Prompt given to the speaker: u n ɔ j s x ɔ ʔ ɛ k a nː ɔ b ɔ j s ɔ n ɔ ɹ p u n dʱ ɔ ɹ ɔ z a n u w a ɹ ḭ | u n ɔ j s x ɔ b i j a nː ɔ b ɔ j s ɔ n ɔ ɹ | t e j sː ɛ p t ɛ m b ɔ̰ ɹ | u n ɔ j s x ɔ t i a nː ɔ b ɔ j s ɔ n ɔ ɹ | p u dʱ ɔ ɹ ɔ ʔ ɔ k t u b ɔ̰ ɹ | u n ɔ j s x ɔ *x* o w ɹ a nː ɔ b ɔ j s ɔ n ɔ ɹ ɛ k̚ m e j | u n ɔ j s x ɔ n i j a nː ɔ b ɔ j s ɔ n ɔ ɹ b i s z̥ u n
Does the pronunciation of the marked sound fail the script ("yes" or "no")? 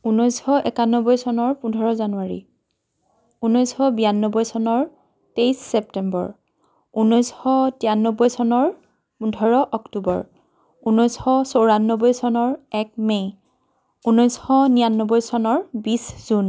yes